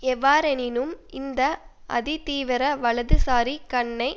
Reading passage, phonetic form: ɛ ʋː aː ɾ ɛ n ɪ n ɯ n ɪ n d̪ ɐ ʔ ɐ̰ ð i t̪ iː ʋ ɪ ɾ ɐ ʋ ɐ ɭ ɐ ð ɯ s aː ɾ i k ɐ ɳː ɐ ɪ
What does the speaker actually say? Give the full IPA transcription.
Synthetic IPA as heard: ɛ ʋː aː ɾ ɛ n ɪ n ɯ m ɪ n d̪ ɐ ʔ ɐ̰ ð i t̪ iː ʋ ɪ ɾ ɐ ʋ ɐ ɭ ɐ ð ɯ s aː ɾ i k ɐ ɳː ɐ ɪ